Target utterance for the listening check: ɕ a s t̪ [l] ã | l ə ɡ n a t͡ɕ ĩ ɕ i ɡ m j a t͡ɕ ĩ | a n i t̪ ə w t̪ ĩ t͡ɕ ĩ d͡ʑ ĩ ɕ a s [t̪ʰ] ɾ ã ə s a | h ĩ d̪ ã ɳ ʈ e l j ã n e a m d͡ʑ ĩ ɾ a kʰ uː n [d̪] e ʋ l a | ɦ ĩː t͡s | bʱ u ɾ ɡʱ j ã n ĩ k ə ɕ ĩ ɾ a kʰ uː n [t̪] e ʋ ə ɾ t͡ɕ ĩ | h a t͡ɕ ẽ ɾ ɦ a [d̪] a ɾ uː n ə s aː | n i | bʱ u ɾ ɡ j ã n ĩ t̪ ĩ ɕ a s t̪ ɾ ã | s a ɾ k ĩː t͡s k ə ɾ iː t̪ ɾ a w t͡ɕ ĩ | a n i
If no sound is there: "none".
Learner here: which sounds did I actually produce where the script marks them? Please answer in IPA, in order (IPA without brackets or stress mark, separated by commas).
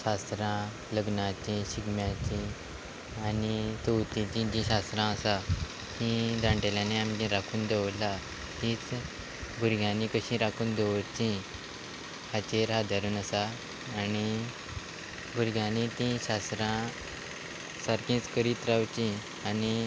ɾ, t̪, d̪, d̪, d̪